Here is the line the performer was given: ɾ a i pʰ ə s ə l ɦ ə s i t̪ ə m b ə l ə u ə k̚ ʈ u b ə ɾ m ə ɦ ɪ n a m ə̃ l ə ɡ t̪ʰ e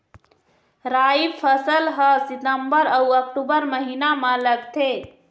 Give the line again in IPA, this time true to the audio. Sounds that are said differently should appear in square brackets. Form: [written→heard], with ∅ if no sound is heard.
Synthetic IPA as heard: ɾ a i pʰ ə s ə l ɦ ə s i t̪ ə m b ə [l→ɾ] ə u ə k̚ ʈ u b ə ɾ m ə ɦ [ɪ→i] n a m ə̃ l ə ɡ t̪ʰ e